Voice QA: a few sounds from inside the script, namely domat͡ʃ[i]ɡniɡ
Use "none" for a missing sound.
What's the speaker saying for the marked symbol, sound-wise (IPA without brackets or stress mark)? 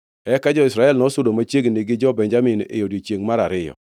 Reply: e